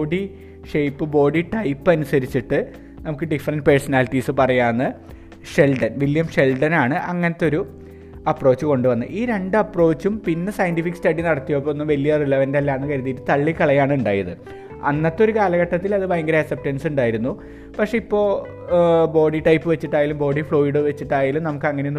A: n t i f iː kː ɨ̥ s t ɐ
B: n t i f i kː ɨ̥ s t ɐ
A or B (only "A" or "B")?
B